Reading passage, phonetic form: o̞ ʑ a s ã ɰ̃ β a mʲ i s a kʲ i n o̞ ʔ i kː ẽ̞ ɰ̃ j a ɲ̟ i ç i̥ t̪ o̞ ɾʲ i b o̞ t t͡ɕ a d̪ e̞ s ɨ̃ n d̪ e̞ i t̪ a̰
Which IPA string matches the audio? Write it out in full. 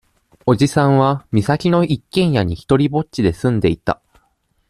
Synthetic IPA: o̞ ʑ i s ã ɰ̃ β a mʲ i s a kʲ i n o̞ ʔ i kː ẽ̞ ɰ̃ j a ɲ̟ i ç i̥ t̪ o̞ ɾʲ i b o̞ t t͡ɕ i d̪ e̞ s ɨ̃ n d̪ e̞ i t̪ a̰